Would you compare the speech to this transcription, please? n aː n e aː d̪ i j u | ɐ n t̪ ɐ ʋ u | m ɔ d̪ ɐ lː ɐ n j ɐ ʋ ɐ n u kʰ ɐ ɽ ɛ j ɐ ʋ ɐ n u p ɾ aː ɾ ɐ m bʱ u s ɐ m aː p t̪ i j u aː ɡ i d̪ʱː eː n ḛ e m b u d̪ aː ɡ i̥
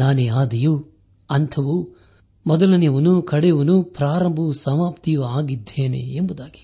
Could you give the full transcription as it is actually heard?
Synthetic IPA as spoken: n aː n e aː d̪ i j u | ɐ n t̪ʰ ɐ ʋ u | m ɔ d̪ ɐ l ɐ n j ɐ ʋ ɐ n u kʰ ɐ ɽ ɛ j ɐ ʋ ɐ n u p ɾ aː ɾ ɐ m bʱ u s ɐ m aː p t̪ i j u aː ɡ i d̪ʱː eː n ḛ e m b u d̪ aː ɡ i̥